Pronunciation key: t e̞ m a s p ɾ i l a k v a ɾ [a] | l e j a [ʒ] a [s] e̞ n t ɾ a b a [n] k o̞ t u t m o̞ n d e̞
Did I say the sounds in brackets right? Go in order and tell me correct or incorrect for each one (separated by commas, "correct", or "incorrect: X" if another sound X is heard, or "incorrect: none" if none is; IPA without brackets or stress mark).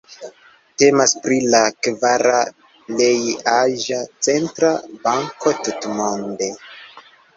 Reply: correct, correct, incorrect: t͡s, incorrect: ŋ